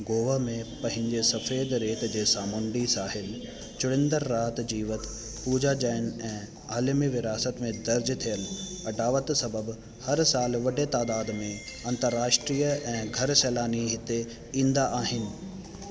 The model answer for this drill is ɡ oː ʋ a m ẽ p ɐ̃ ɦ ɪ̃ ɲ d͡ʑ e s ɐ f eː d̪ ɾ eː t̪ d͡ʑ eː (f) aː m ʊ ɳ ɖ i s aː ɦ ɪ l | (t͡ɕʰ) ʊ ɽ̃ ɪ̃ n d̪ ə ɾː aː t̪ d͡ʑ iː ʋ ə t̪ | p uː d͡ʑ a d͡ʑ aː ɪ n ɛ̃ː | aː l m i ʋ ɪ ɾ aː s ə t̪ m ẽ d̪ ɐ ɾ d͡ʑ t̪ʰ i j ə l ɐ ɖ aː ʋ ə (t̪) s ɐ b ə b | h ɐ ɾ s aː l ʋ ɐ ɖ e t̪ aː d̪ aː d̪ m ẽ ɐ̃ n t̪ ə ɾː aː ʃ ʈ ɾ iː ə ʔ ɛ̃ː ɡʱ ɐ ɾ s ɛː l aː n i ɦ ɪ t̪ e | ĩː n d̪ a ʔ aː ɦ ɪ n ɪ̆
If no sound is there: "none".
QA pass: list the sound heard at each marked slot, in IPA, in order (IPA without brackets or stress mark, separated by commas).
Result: s, t͡ɕ, t̪